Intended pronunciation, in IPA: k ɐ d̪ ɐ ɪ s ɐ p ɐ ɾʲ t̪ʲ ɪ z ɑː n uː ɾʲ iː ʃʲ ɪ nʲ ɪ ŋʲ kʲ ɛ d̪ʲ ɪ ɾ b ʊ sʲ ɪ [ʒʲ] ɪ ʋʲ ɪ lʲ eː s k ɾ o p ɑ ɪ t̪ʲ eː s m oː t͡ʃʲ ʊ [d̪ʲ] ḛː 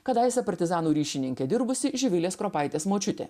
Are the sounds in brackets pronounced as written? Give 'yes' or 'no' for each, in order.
yes, no

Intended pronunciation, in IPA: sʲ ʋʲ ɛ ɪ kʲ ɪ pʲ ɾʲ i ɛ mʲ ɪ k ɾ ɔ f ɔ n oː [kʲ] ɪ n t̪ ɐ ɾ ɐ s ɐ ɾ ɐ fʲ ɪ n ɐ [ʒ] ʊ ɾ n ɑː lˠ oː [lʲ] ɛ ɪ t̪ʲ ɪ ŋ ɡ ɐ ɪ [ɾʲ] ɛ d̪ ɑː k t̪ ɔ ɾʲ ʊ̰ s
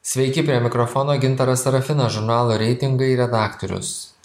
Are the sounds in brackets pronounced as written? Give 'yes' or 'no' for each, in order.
no, yes, no, yes

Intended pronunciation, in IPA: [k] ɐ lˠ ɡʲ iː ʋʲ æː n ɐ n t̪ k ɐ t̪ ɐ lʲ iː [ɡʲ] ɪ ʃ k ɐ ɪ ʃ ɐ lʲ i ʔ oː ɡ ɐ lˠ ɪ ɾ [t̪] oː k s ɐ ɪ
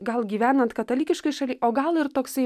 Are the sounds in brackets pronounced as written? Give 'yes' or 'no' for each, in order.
no, no, yes

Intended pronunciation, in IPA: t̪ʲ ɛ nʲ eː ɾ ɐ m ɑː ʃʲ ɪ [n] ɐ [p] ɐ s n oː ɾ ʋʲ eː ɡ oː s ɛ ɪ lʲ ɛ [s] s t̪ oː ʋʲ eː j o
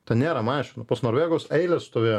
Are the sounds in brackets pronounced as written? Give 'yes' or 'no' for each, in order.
yes, yes, yes

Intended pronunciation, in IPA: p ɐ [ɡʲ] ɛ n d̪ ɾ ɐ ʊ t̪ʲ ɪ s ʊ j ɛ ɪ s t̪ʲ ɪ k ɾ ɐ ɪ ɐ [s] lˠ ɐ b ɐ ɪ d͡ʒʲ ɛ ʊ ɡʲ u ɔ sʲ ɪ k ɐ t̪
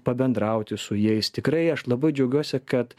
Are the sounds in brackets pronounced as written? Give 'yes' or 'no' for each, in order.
no, no

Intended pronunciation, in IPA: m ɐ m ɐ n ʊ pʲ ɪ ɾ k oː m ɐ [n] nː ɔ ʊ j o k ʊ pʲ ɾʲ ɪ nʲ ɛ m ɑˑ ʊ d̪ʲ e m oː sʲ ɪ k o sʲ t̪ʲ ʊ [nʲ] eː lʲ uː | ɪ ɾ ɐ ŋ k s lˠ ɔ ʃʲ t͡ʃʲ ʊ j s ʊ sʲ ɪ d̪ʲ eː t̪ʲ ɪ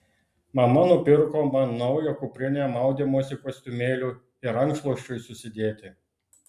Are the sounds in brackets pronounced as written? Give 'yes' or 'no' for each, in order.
yes, no

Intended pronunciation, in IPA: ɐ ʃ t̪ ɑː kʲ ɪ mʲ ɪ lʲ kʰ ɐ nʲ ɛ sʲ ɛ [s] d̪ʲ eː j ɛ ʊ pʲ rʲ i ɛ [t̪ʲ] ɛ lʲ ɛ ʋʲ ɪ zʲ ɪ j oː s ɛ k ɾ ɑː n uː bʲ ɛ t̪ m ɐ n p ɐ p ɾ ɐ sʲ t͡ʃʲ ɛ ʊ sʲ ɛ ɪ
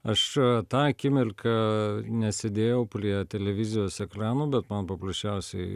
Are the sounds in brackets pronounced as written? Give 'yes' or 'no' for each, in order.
no, yes

